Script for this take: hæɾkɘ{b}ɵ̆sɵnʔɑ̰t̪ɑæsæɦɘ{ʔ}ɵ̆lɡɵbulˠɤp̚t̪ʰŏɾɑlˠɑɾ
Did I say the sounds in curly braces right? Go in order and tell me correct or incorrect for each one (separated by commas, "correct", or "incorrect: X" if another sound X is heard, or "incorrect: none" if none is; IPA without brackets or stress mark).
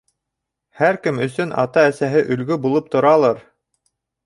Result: incorrect: m, correct